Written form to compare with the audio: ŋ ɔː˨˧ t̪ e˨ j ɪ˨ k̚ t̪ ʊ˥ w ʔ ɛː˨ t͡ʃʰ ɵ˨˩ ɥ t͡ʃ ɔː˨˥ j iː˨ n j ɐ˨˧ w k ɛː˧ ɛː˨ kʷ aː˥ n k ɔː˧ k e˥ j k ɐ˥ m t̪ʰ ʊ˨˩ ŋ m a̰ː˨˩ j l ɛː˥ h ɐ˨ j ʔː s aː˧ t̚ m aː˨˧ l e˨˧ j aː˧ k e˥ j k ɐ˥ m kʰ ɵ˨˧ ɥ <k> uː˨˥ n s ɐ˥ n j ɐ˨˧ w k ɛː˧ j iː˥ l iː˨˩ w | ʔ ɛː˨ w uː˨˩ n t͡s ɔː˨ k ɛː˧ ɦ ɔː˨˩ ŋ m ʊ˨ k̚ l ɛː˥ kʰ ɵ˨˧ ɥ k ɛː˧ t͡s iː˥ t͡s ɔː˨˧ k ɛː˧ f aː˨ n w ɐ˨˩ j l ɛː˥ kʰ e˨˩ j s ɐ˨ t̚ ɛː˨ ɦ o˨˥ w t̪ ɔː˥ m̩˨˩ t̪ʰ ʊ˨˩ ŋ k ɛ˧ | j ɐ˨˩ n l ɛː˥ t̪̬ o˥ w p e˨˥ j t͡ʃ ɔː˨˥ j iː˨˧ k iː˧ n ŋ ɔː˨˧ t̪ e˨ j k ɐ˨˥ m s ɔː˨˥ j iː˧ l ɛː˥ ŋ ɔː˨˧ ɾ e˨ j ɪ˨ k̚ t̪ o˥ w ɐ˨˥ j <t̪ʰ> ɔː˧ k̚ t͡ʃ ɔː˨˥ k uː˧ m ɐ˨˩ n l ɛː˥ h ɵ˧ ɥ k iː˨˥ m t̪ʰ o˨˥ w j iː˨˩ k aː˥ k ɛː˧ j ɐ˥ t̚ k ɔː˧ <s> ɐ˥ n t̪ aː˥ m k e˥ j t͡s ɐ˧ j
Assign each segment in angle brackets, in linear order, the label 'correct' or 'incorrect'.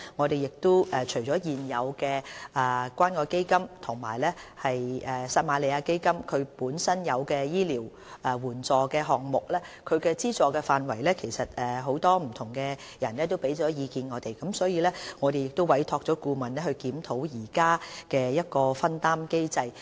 incorrect, correct, incorrect

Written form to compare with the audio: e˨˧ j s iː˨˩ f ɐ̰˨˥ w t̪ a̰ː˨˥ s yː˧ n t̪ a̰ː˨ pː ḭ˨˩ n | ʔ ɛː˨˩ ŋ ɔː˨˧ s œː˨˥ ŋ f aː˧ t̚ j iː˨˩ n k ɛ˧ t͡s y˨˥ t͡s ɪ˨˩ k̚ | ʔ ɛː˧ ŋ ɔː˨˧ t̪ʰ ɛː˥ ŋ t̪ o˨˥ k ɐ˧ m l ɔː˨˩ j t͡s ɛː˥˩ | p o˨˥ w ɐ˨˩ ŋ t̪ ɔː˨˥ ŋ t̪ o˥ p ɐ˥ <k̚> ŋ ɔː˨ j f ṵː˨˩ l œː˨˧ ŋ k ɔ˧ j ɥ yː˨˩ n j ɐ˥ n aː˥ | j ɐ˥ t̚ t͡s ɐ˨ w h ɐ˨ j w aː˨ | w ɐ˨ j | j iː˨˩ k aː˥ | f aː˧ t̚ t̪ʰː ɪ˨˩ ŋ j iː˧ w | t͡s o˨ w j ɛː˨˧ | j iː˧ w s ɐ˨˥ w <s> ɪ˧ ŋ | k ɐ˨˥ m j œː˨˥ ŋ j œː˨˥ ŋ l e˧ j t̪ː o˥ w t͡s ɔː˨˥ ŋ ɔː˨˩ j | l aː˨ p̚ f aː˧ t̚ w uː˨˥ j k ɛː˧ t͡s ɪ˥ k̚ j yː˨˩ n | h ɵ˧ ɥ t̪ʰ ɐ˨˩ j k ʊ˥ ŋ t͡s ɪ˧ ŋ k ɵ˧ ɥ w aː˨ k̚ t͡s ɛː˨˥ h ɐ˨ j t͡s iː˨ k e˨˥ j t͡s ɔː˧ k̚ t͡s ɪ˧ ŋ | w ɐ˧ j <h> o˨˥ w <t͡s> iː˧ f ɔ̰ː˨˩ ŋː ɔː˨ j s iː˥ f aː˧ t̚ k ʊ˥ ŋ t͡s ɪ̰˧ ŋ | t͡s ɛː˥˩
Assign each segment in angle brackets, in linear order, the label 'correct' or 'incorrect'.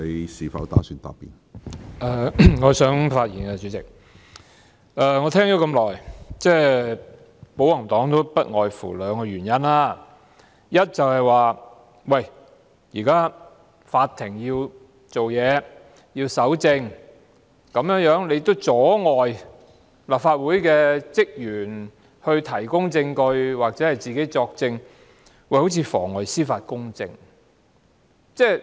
incorrect, incorrect, correct, incorrect

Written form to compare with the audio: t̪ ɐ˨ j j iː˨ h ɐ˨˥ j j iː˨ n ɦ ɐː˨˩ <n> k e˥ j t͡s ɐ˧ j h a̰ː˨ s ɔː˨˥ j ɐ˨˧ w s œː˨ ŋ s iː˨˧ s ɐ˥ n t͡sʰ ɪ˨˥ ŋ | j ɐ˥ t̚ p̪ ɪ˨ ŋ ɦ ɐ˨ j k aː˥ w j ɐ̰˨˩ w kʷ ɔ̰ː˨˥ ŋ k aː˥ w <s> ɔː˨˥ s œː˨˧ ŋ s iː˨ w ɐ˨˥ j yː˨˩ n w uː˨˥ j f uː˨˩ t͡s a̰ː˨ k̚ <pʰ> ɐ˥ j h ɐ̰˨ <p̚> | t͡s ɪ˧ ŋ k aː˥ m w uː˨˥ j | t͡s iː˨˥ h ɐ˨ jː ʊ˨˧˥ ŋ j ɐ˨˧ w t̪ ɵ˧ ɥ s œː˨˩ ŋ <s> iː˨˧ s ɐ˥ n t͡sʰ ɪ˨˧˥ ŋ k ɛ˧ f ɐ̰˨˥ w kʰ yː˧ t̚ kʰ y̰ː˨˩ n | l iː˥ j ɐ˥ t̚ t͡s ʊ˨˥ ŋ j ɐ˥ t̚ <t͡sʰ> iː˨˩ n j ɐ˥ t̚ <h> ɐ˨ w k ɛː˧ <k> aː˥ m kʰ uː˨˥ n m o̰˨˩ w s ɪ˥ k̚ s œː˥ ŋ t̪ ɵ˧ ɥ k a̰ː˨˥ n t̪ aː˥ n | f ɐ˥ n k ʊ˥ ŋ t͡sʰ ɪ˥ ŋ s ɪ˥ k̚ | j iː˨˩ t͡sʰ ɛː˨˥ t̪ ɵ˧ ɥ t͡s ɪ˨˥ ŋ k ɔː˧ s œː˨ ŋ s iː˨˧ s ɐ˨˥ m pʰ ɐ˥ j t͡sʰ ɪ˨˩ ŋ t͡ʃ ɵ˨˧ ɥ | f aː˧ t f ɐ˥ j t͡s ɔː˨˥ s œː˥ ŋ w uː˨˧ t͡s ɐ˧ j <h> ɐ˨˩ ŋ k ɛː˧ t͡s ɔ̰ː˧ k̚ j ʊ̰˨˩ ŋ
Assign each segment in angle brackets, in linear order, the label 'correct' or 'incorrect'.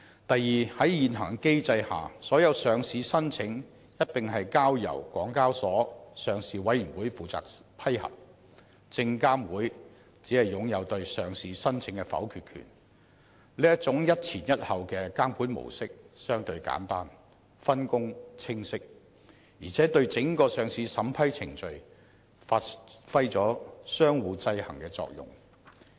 incorrect, correct, correct, correct, correct, correct, correct, correct, correct

